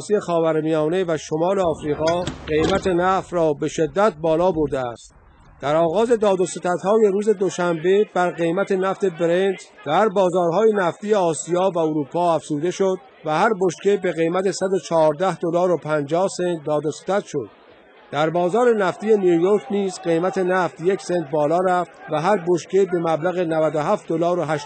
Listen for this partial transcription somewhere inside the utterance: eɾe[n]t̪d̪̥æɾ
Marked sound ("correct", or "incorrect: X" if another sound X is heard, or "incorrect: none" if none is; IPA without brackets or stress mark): correct